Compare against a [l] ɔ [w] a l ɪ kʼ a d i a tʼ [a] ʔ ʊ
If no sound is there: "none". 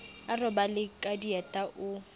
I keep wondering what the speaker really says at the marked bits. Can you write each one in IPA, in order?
r, b, a

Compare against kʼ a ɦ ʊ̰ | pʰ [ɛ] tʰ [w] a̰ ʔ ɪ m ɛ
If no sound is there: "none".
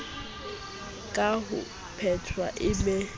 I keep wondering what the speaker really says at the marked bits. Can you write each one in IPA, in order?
ɛ, w

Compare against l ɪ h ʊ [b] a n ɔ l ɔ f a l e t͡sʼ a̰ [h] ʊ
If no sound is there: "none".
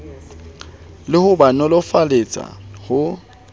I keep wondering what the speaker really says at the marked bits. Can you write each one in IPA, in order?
b, h

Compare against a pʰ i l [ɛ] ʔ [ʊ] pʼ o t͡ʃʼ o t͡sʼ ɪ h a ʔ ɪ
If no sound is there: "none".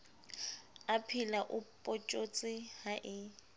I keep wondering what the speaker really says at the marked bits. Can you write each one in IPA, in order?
a, ʊ

